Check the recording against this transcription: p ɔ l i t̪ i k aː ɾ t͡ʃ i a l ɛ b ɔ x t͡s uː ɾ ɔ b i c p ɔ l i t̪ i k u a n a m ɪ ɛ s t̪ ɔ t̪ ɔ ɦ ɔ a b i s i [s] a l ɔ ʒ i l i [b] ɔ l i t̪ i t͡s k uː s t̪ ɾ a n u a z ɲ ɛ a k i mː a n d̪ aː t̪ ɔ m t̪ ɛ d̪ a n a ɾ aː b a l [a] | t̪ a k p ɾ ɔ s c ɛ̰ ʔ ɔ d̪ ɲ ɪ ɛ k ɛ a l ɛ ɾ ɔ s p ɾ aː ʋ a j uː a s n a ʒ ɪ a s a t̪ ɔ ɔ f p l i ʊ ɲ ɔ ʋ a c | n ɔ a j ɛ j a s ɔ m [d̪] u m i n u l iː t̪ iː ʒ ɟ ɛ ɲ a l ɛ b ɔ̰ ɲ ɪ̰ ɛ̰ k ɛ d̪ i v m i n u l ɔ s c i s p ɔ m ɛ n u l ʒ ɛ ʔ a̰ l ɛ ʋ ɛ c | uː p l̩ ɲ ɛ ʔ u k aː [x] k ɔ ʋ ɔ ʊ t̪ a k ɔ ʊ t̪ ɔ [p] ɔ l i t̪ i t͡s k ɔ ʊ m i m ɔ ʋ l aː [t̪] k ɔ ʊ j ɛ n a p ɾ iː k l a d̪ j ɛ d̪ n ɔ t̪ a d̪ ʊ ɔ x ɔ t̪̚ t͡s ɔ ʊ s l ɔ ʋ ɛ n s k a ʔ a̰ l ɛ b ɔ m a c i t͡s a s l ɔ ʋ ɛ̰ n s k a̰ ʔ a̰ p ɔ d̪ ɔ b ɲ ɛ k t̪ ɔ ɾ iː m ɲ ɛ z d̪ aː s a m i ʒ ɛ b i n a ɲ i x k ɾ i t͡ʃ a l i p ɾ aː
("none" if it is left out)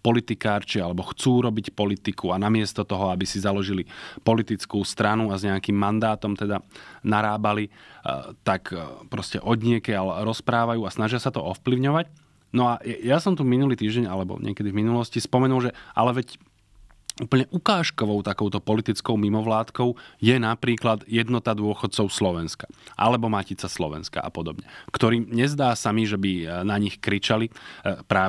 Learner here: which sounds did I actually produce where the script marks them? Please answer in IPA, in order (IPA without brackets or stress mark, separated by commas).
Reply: z, p, i, t̪, ʃ, p, t̪